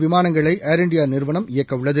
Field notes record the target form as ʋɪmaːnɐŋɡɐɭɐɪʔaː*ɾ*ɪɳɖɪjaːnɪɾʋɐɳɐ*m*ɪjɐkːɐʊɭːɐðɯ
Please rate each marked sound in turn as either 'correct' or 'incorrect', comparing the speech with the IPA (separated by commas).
correct, correct